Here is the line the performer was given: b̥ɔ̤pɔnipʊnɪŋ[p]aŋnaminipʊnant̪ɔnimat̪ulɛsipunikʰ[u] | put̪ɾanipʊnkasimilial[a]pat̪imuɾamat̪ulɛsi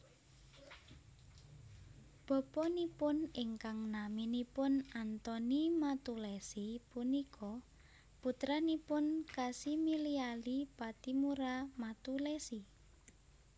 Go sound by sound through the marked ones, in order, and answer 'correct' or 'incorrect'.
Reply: incorrect: k, incorrect: ɔ, incorrect: i

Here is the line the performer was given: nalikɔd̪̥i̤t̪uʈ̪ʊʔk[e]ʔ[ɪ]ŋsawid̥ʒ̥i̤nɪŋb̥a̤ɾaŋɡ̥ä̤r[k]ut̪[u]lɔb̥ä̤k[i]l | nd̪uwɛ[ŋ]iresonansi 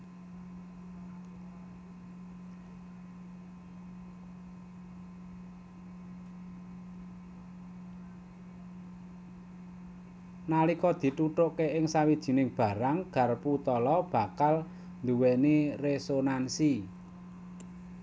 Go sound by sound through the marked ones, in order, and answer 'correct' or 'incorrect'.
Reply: correct, correct, incorrect: p, incorrect: ɔ, incorrect: a, incorrect: n

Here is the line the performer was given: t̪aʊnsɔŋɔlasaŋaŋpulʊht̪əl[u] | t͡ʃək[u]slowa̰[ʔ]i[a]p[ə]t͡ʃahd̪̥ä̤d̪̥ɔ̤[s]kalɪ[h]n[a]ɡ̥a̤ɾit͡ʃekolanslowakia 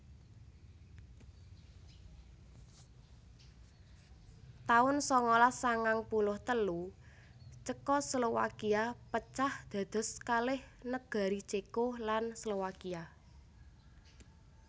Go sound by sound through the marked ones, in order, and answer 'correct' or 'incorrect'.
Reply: correct, incorrect: ɔ, incorrect: k, correct, correct, correct, correct, incorrect: ə

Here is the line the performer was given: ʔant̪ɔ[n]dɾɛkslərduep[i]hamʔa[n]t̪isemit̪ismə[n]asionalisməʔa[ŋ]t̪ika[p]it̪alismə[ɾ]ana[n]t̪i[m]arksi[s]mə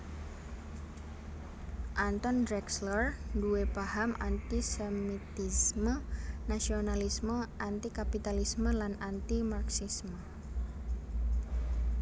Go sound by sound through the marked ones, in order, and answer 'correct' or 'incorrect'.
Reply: correct, incorrect: a, correct, correct, incorrect: n, correct, incorrect: l, correct, correct, correct

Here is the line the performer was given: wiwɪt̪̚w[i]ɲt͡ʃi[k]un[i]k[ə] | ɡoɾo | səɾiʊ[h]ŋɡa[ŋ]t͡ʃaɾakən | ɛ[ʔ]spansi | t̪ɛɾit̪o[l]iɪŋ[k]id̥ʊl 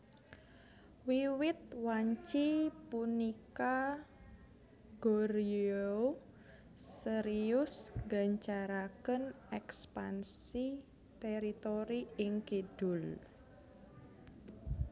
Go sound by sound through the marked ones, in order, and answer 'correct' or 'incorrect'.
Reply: incorrect: a, incorrect: p, correct, incorrect: a, incorrect: s, incorrect: ɲ, incorrect: k, incorrect: ɾ, correct

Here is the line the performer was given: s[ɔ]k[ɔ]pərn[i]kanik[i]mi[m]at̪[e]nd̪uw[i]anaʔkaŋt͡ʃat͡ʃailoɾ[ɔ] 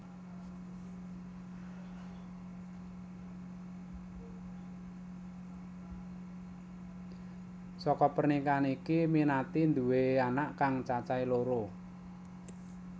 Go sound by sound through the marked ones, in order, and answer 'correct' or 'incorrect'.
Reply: correct, correct, correct, correct, incorrect: n, incorrect: i, incorrect: e, incorrect: o

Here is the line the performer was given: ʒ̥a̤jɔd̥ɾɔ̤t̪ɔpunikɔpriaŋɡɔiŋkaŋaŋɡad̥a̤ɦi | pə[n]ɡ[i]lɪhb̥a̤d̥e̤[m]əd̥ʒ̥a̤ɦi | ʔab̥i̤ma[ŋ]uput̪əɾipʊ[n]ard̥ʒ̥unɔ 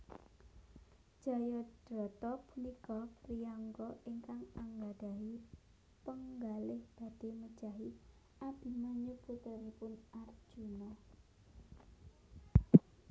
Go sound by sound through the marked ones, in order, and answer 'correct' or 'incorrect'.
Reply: incorrect: ŋ, incorrect: a, correct, incorrect: ɲ, correct

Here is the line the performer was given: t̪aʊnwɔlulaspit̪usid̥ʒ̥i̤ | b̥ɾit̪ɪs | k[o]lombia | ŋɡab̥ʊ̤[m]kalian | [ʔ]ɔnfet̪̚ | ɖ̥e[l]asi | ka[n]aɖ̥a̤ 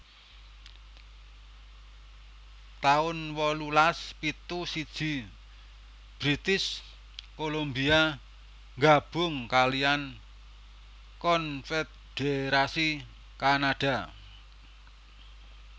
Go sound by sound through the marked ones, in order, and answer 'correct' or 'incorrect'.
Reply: correct, incorrect: ŋ, incorrect: k, incorrect: ɾ, correct

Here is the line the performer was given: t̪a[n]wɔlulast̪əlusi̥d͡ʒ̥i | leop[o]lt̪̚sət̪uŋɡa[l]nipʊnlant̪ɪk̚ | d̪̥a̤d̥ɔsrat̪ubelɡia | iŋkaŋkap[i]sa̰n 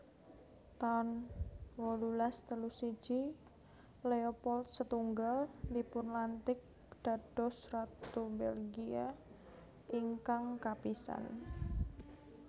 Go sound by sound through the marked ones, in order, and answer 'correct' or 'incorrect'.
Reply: correct, incorrect: ɔ, correct, correct

